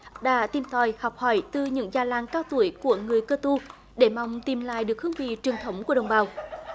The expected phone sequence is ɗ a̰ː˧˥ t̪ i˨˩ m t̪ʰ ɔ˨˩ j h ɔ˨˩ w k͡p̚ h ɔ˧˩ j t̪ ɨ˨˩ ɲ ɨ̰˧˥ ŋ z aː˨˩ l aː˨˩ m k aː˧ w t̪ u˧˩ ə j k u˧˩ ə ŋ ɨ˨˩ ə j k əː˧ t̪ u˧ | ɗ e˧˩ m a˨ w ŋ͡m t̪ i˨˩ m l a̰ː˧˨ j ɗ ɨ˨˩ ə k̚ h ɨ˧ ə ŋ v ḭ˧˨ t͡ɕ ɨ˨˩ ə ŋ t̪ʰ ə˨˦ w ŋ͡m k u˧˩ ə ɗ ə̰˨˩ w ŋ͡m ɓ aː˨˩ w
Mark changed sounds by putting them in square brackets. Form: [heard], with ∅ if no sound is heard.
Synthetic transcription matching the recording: ɗ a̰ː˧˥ t̪ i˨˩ m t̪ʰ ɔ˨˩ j h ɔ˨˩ w k͡p̚ h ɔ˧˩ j t̪ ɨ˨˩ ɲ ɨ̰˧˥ ŋ z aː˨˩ l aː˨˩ [ŋ] k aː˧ w t̪ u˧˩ ə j k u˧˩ ə ŋ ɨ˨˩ ə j k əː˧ t̪ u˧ | ɗ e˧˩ m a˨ w ŋ͡m t̪ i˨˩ m l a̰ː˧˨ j ɗ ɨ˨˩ ə k̚ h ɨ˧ ə ŋ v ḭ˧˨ t͡ɕ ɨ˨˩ ə ŋ t̪ʰ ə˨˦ w ŋ͡m k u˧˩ ə ɗ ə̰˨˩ w ŋ͡m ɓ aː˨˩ w

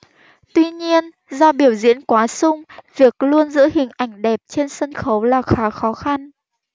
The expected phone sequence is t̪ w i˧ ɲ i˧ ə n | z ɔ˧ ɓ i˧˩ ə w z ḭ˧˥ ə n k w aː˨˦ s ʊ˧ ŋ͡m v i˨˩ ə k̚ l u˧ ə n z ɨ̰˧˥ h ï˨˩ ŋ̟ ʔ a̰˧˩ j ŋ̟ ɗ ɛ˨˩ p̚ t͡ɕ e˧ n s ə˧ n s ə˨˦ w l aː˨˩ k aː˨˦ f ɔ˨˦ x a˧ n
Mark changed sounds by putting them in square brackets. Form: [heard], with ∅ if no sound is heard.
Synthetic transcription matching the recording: t̪ w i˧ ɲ i˧ ə n | z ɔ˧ ɓ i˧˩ ə w z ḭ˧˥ ə n k w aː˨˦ s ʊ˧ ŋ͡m v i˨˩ ə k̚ l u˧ ə n z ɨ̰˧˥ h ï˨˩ ŋ̟ ʔ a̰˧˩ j ŋ̟ ɗ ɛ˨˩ p̚ t͡ɕ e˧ n s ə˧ n [x] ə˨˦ w l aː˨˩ [x] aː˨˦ [x] ɔ˨˦ x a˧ n

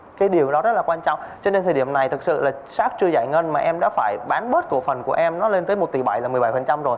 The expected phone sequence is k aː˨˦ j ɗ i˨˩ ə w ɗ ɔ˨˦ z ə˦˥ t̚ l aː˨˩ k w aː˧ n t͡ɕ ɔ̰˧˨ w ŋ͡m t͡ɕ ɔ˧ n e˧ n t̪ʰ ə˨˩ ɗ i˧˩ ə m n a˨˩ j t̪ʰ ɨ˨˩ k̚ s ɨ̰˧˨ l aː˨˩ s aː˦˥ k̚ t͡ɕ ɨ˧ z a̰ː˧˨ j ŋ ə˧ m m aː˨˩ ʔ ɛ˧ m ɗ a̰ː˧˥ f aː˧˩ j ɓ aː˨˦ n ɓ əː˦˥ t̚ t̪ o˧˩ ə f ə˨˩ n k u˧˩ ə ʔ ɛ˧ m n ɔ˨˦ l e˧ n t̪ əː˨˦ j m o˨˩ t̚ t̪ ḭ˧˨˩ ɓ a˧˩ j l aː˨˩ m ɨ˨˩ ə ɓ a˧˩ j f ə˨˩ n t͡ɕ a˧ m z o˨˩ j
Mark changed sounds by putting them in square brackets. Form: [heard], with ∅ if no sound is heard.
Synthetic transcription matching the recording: k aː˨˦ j ɗ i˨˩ ə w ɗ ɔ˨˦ z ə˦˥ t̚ l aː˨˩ k w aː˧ n t͡ɕ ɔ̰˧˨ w ŋ͡m t͡ɕ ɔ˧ n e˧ n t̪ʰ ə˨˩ ɗ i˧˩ ə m n a˨˩ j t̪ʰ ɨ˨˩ k̚ s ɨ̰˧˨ l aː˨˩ s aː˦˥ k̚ t͡ɕ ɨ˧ z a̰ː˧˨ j ŋ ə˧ [n] m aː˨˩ ʔ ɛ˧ m ɗ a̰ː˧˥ f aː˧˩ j ɓ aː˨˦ n ɓ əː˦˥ t̚ t̪ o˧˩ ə f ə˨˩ n k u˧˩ ə ʔ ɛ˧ m n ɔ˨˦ l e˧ n t̪ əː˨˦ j m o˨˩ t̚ t̪ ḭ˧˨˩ ɓ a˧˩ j l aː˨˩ m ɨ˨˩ ə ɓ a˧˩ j f ə˨˩ n t͡ɕ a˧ m z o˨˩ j

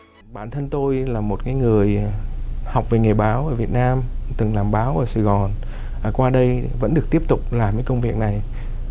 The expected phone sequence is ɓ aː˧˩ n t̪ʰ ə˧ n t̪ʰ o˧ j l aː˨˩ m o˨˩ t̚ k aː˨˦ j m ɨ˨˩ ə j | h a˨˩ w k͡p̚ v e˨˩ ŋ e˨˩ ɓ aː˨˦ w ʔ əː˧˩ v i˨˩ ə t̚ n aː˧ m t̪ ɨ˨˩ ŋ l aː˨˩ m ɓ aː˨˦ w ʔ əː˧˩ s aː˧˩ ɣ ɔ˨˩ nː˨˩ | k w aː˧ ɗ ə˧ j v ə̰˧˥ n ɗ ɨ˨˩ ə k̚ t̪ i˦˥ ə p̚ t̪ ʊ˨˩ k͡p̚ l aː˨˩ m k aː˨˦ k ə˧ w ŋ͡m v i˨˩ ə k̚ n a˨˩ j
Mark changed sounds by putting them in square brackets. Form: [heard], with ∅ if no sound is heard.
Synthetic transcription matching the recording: ɓ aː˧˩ n t̪ʰ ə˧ n [t̪] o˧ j l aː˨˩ m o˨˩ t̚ k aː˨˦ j [ŋ] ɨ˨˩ ə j | h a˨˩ w k͡p̚ v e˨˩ ŋ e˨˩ ɓ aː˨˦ w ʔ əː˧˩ v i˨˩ ə t̚ n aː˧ m t̪ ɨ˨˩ ŋ l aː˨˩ m ɓ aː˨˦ w ʔ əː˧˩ s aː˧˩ ɣ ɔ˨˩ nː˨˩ | k w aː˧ ɗ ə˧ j v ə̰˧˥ n ɗ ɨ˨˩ ə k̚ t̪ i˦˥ ə p̚ t̪ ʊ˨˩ k͡p̚ l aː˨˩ m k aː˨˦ k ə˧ w ŋ͡m v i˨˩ ə k̚ n a˨˩ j

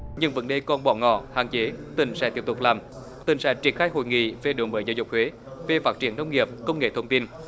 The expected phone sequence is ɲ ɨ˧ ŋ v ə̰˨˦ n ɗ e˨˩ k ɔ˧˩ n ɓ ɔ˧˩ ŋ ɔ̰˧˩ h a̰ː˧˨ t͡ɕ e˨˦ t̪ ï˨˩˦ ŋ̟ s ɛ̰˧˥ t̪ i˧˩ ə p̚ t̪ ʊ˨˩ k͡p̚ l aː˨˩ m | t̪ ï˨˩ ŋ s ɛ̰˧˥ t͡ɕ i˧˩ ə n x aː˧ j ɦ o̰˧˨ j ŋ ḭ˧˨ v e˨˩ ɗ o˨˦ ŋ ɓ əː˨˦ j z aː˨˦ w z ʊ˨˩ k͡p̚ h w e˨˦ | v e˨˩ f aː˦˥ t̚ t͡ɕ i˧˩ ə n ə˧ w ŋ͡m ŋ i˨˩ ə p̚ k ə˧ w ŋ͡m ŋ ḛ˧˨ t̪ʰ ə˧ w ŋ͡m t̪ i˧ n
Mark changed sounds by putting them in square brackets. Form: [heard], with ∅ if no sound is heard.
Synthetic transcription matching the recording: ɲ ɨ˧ ŋ v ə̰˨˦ n ɗ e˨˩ k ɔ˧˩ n ɓ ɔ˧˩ ŋ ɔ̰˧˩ h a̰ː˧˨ t͡ɕ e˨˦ t̪ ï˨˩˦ ŋ̟ s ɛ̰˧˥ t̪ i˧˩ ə p̚ t̪ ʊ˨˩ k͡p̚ l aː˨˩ m | t̪ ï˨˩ ŋ s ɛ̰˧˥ t͡ɕ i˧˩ ə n x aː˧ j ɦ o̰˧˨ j ŋ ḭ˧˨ v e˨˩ ɗ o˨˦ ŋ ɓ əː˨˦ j z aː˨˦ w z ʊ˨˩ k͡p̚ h w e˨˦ | v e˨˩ f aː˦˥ t̚ t͡ɕ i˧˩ ə n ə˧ w ŋ͡m ŋ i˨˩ ə p̚ k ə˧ w ŋ͡m ŋ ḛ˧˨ t̪ʰ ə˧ w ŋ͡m t̪ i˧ n

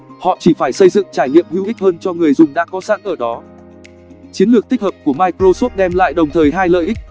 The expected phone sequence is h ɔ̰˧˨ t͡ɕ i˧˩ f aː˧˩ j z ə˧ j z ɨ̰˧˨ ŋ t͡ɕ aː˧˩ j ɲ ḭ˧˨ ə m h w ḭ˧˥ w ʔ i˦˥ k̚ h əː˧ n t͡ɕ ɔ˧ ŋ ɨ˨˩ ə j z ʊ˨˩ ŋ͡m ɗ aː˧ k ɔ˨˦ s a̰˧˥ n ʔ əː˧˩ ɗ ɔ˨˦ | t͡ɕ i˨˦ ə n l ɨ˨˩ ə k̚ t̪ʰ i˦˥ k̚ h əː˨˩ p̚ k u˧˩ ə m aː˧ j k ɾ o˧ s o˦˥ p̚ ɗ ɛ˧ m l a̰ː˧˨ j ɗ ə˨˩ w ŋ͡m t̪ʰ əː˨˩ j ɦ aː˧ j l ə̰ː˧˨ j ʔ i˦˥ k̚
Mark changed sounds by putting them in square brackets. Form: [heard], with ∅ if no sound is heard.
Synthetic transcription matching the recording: h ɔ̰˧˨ t͡ɕ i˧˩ f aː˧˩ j [s] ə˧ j z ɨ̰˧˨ ŋ t͡ɕ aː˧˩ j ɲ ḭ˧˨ ə m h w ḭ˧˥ w ʔ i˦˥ k̚ h əː˧ n t͡ɕ ɔ˧ ŋ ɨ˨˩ ə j z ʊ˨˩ ŋ͡m ɗ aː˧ k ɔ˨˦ s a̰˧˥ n ʔ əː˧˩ ɗ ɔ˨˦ | t͡ɕ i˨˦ ə n l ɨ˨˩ ə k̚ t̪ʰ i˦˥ k̚ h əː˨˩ p̚ k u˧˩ ə m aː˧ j k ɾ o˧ s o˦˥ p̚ ɗ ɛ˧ m l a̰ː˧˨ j ɗ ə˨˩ w ŋ͡m t̪ʰ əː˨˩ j ɦ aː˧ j l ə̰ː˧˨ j ʔ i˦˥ k̚

